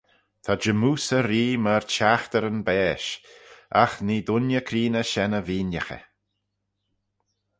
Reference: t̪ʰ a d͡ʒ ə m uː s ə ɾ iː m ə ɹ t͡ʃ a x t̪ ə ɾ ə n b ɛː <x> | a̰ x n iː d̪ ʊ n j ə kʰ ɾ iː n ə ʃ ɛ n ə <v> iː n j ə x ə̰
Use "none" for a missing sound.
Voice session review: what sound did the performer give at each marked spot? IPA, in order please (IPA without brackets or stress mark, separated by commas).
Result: ʃ, v